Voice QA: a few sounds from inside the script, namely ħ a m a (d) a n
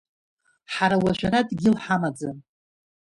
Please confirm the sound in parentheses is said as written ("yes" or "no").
no